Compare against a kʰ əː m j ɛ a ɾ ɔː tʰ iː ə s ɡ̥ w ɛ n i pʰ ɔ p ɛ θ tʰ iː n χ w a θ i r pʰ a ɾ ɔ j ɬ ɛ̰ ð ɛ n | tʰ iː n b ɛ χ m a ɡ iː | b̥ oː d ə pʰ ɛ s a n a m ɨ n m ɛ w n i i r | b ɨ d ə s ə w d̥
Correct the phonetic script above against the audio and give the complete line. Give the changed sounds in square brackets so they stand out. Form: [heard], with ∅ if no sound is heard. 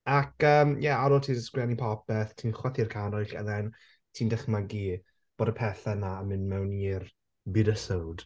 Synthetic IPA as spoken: a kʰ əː m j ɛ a ɾ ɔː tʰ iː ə s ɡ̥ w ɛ n i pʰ ɔ p ɛ θ tʰ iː n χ w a θ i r [kʰ] a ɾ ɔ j ɬ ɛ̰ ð ɛ n | tʰ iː n [d] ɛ χ m a ɡ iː | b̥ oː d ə pʰ ɛ [θ] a n a m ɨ n m ɛ w n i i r | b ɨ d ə s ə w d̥

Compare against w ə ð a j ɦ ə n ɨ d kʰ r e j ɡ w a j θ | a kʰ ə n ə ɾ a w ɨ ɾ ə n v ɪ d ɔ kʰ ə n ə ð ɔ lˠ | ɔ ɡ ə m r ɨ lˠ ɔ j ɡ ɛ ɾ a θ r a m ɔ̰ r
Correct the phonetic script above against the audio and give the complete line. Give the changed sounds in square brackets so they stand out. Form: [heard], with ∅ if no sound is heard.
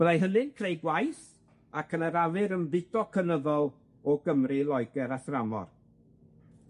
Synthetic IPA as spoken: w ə ð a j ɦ ə n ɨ [n] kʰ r e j ɡ w a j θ | a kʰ ə n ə ɾ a [v] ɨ ɾ ə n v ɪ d ɔ kʰ ə n ə ð ɔ lˠ | ɔ ɡ ə m r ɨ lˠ ɔ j ɡ ɛ ɾ a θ r a m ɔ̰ r

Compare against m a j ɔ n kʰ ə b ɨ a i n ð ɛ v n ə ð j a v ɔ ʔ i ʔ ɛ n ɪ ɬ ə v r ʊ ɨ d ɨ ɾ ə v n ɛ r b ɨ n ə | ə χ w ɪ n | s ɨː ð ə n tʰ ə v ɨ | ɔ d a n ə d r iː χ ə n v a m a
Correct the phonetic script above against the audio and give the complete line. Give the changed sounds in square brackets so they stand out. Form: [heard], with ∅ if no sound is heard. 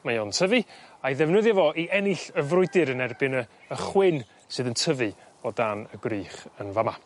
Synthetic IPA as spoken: m a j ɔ n [tʰ] ə [v] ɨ a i [∅] ð ɛ v n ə ð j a v ɔ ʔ i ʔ ɛ n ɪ ɬ ə v r ʊ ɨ d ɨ ɾ ə [∅] n ɛ r b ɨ n ə | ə χ w ɪ n | s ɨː ð ə n tʰ ə v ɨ | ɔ d a n ə [ɡ] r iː χ ə n v a m a

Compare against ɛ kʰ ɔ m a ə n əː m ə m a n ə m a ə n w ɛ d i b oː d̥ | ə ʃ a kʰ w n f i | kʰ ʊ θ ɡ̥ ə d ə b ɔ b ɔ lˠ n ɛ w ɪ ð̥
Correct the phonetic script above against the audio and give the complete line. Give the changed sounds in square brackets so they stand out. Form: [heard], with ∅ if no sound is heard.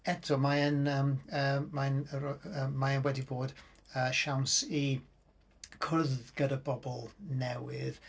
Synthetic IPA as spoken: ɛ [tʰ] ɔ m a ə n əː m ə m a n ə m a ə n w ɛ d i b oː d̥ | ə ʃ a [∅] w n [s] i | kʰ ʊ [ð] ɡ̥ ə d ə b ɔ b ɔ lˠ n ɛ w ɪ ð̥

